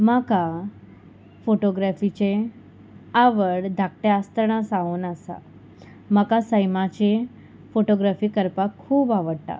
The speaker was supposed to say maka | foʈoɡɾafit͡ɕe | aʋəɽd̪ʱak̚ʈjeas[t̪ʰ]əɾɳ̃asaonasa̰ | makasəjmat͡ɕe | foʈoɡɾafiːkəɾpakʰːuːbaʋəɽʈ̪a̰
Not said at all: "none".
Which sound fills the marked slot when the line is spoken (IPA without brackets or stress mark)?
t̪